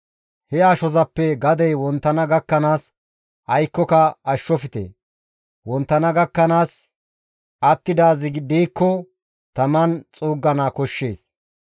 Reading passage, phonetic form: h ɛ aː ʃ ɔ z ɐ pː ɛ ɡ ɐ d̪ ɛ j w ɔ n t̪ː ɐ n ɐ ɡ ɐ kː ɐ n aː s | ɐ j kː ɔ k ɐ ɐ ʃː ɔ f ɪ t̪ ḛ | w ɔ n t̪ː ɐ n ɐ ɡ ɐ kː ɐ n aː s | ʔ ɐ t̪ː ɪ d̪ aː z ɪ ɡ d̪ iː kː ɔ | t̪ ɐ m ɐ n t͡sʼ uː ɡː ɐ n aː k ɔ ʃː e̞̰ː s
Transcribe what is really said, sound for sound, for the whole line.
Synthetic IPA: h ɛ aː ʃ ɔ z ɐ pː ɛ ɡ ɐ d̪ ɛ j w ɔ n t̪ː ɐ n ɐ ɡ ɐ kː ɐ n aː s | ɐ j kː ɔ k ɐ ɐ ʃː ɔ f ɪ t̪ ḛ | w ɔ n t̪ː ɐ n ɐ ɡ ɐ kː ɐ n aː s | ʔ ɐ t̪ː ɪ d̪ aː z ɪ ɡ d̪ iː kː ɔ | t̪ ɐ m ɐ n t͡sʼ uː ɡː ɐ n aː k ɔ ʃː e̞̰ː s